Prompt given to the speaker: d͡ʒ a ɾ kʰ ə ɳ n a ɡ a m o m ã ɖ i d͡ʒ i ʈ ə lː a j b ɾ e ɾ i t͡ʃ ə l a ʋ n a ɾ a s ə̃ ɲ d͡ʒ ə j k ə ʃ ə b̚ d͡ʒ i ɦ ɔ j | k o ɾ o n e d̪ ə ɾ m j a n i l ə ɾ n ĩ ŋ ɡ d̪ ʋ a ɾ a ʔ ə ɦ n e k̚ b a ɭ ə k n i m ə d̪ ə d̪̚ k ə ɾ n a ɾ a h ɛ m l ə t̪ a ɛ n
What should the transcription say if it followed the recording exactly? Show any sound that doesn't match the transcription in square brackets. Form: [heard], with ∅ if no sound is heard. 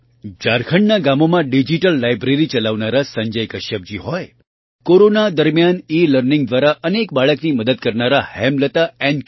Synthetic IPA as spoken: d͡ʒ a ɾ kʰ ə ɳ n a ɡ a m o m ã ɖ i d͡ʒ i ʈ ə lː a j b ɾ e ɾ i t͡ʃ ə l a ʋ n a ɾ a s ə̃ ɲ d͡ʒ ə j k ə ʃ ə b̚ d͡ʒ i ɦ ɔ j | k o ɾ o n [a] d̪ ə ɾ m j a n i l ə ɾ n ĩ ŋ ɡ d̪ ʋ a ɾ a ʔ ə [∅] n e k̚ b a ɭ ə k n i m ə d̪ ə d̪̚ k ə ɾ n a ɾ a h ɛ m l ə t̪ a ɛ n